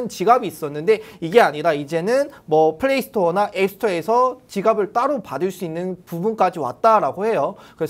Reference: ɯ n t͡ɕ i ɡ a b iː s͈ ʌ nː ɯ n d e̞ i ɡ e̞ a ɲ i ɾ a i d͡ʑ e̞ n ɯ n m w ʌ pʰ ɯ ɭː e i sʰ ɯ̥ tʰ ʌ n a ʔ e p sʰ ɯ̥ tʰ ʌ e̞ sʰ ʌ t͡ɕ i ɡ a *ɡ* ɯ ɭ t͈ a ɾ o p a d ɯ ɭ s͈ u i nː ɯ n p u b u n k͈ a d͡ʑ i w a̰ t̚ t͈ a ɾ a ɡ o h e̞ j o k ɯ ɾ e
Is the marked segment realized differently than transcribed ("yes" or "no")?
yes